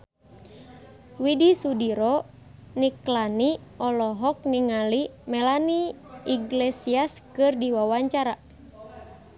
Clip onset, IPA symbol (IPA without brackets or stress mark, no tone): w